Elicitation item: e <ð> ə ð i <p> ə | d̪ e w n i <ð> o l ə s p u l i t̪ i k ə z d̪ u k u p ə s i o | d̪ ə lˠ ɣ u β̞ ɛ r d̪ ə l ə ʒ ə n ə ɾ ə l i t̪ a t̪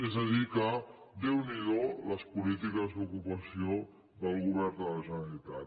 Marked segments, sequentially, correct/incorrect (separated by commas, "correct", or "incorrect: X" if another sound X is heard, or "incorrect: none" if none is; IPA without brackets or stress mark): incorrect: z, incorrect: k, correct